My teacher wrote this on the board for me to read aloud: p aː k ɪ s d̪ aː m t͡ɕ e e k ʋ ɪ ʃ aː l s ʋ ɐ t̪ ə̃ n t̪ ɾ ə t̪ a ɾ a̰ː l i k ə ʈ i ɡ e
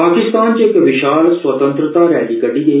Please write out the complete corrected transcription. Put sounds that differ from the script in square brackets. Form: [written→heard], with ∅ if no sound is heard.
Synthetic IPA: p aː k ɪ s [d̪→t̪] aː [m→n] t͡ɕ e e k ʋ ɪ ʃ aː l s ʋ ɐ t̪ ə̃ n t̪ ɾ ə t̪ a ɾ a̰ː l i k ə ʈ i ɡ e